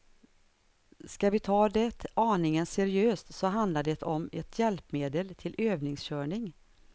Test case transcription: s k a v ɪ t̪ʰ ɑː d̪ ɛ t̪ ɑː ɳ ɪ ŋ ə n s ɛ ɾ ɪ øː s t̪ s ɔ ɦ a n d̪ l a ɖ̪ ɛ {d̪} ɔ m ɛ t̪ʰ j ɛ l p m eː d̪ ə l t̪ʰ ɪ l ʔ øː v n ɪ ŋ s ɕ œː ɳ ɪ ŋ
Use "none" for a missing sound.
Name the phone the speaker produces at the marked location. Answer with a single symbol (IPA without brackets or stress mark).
t̪